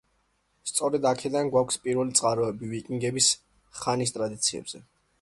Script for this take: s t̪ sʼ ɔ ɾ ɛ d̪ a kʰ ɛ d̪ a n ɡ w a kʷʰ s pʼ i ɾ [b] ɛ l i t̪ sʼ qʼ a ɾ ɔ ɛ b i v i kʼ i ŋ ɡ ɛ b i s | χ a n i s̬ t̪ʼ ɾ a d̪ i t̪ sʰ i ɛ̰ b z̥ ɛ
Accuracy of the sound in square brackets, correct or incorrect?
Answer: incorrect